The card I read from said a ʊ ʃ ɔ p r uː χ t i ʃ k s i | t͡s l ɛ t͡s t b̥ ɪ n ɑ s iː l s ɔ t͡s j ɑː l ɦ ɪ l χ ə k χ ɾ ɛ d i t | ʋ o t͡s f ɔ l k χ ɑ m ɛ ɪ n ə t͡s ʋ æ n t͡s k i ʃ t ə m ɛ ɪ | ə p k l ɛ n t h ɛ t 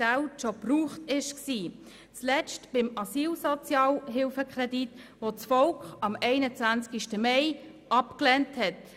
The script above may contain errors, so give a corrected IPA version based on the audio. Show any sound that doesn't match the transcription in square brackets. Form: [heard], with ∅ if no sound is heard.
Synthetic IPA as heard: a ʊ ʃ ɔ p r uː χ t [ɪ] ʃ k s [iː] | t͡s l ɛ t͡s t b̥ ɪ [m] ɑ s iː l s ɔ t͡s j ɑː l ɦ ɪ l [f] ə k χ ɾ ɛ d i t | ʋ o t͡s f ɔ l k χ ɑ m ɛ ɪ n ə t͡s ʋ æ n t͡s k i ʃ t ə m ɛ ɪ | [ɑ] p k l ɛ n t h ɛ t